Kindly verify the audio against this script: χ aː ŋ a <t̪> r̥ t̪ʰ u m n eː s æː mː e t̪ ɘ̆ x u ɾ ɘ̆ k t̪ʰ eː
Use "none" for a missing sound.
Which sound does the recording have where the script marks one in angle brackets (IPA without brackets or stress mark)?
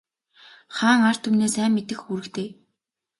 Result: none